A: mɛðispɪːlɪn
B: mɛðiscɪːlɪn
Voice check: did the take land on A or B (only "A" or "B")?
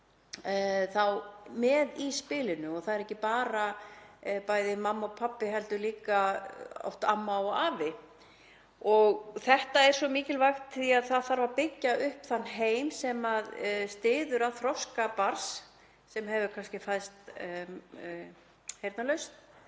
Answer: A